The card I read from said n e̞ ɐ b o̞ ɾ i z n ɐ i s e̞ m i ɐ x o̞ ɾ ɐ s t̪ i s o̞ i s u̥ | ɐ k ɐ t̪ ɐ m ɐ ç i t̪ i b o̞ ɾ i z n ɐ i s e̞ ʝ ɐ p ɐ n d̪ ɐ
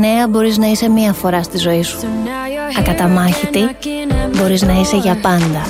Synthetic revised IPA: n e̞ ɐ b o̞ ɾ i z n ɐ i s e̞ m i ɐ f o̞ ɾ ɐ s t̪ i z o̞ i s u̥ | ɐ k ɐ t̪ ɐ m ɐ ç i t̪ i b o̞ ɾ i z n ɐ i s e̞ ʝ ɐ p ɐ n d̪ ɐ